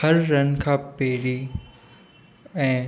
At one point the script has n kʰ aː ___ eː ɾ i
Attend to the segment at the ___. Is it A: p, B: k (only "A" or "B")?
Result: A